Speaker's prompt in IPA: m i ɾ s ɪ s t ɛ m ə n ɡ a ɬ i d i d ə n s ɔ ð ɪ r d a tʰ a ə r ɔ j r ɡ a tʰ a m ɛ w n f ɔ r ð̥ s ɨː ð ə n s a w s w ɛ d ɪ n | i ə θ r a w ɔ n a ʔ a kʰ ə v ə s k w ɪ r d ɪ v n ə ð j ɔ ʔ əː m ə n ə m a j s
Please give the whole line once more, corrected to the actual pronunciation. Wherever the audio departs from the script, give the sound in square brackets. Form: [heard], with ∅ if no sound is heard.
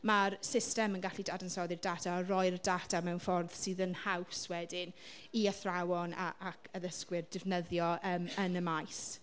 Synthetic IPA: m [a] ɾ s ɪ s t ɛ m ə n ɡ a ɬ i d [a] d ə n s ɔ ð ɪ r d a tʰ a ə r ɔ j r [d] a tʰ a m ɛ w n f ɔ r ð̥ s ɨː ð ə n [h] a w s w ɛ d ɪ n | i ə θ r a w ɔ n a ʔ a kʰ ə [ð] ə s k w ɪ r d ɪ v n ə ð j ɔ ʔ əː m ə n ə m a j s